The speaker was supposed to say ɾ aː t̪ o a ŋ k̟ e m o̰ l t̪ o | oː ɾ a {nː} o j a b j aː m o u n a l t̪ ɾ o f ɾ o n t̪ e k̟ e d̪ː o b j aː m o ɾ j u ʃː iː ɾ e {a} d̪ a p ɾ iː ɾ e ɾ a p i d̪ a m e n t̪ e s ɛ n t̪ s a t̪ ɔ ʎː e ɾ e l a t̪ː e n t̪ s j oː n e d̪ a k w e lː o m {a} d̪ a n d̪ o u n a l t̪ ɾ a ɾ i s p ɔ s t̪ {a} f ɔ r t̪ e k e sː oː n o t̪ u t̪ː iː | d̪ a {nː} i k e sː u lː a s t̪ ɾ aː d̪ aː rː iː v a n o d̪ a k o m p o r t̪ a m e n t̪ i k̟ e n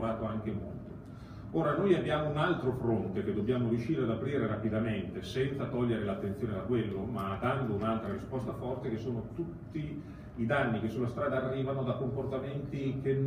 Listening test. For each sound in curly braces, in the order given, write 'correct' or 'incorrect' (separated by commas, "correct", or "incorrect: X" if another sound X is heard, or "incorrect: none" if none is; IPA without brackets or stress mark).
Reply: incorrect: n, correct, correct, correct, correct